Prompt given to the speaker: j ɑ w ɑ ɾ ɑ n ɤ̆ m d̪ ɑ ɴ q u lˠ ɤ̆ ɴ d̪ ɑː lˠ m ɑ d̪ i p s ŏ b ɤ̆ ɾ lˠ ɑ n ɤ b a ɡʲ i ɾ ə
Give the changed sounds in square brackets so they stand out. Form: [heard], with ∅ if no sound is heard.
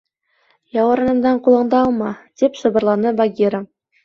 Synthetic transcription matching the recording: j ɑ w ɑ ɾ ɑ n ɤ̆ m d̪ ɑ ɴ q u lˠ ɤ̆ ɴ d̪ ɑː lˠ m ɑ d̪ i p s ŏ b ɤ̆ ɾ lˠ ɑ n ɤ b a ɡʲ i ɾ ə